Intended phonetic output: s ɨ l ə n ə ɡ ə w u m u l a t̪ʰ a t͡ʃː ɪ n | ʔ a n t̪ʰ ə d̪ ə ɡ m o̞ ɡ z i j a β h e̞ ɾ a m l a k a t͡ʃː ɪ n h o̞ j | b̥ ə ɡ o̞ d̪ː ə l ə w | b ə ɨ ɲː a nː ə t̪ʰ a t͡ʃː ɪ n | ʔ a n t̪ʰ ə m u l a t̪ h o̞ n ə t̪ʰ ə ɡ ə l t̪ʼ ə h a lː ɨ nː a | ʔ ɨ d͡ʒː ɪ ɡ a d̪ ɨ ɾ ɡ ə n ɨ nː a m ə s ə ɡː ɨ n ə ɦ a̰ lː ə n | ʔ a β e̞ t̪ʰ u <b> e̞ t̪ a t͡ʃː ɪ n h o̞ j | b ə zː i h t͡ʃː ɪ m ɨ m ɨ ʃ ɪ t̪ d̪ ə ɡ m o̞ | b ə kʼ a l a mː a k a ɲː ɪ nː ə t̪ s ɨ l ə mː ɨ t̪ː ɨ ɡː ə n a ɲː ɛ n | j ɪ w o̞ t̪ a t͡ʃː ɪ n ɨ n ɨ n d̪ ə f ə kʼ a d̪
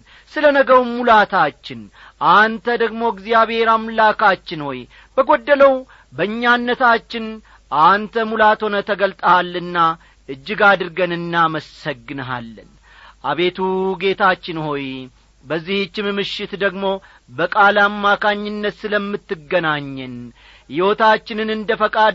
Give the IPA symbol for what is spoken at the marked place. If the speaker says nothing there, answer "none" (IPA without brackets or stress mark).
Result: ɡ